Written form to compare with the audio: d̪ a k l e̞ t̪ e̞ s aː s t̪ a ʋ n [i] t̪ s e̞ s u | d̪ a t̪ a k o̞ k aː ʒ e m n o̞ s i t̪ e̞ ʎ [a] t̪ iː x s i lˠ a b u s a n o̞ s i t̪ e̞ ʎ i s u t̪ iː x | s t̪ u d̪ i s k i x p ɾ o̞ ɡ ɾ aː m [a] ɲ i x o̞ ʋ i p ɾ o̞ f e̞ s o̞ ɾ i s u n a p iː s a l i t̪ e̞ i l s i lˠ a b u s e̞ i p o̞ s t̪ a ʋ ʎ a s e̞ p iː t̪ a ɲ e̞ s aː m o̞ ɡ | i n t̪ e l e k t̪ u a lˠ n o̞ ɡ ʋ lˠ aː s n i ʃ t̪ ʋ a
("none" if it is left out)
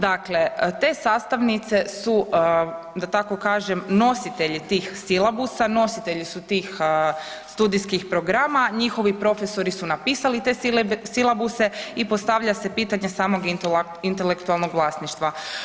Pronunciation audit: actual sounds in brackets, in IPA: i, i, a

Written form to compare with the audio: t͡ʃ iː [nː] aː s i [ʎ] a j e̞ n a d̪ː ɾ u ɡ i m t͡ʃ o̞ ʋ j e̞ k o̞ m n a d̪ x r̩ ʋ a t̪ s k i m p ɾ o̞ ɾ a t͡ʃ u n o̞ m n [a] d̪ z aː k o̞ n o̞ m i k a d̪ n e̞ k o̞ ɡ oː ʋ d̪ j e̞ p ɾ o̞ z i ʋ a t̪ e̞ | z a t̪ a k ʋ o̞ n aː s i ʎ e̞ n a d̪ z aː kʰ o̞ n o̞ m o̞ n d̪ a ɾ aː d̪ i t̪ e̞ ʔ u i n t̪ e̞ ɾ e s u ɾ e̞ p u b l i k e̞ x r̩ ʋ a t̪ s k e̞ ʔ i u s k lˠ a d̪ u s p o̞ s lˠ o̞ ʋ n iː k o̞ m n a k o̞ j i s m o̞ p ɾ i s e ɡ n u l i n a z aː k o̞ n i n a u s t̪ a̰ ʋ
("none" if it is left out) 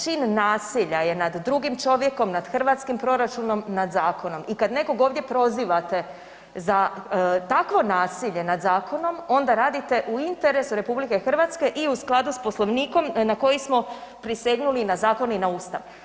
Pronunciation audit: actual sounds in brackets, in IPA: nː, ʎ, a

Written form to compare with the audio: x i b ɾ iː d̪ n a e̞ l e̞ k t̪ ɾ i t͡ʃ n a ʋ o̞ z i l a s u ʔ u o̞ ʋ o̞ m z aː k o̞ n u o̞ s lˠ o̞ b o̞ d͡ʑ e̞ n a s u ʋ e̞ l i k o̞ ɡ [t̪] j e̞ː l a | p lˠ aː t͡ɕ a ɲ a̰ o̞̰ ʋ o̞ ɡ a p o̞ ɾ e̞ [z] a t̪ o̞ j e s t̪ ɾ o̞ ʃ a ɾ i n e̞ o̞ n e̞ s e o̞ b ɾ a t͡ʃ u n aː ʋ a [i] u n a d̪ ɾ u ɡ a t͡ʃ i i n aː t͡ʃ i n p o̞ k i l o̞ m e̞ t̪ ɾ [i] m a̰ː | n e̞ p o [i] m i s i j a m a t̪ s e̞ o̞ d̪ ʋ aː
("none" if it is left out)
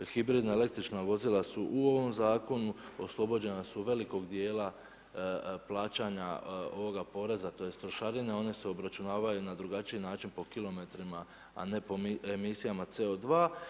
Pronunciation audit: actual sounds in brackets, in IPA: d̪, z, j, i, e

